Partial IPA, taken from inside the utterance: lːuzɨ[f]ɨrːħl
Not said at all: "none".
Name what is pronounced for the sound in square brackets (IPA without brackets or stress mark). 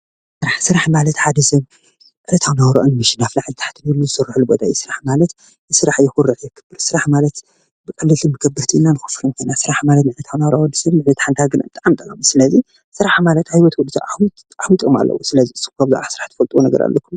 s